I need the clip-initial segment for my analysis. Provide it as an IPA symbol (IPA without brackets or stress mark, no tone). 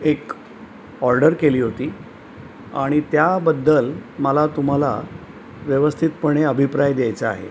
e